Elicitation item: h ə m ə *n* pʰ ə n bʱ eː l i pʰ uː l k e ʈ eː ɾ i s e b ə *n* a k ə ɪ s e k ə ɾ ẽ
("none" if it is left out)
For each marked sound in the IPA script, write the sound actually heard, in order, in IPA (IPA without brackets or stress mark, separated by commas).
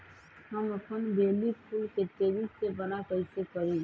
none, n